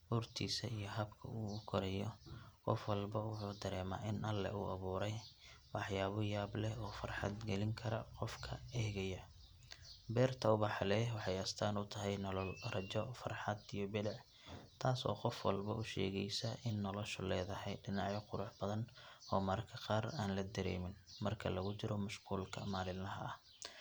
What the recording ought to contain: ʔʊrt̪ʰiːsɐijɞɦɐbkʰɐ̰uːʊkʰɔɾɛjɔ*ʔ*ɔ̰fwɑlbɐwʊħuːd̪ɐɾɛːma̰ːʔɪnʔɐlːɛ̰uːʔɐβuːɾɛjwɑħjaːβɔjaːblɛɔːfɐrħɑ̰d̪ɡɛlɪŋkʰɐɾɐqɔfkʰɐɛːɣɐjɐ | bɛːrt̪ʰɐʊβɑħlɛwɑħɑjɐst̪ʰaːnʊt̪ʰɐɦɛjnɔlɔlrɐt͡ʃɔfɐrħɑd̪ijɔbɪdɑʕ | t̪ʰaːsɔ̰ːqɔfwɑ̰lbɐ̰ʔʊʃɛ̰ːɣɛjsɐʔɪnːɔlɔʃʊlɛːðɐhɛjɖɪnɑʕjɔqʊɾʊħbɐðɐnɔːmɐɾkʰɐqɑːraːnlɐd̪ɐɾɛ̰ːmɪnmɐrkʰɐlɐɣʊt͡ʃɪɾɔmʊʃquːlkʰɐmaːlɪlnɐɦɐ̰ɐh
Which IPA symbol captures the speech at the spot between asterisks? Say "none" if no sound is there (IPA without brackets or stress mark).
q